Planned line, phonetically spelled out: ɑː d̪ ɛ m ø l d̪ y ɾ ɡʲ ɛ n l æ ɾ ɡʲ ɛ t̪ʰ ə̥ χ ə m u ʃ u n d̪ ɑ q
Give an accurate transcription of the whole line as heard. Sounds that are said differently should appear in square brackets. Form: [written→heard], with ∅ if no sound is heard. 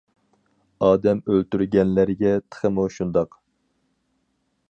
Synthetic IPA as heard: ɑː d̪ ɛ m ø l [d̪→t̪] y ɾ ɡʲ ɛ n l æ ɾ ɡʲ ɛ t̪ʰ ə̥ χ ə m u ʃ u n d̪ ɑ q